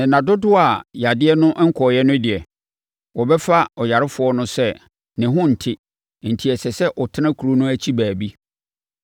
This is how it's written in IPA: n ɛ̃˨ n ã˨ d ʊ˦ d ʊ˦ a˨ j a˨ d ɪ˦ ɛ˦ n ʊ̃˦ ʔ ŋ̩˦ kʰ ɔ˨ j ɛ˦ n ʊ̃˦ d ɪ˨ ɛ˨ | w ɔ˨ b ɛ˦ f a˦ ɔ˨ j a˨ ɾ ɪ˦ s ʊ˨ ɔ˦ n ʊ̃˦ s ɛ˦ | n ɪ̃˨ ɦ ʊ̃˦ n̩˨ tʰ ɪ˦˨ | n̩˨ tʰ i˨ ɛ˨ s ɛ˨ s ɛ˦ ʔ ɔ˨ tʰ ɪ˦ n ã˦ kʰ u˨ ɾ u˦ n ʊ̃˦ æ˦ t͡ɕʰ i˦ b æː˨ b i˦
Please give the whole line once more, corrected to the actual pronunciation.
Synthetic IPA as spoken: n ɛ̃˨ n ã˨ d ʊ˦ d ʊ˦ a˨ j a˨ d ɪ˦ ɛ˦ n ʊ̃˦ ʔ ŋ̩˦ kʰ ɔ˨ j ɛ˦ n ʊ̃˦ d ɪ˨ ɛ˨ | w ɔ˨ b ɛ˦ f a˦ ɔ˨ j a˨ ɾ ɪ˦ f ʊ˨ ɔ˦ n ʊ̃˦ s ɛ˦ | n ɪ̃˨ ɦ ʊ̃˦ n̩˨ tʰ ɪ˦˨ | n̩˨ tʰ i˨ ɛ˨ s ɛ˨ s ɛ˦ ʔ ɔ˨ tʰ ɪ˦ n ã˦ kʰ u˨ ɾ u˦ n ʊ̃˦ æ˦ t͡ɕʰ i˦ b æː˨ b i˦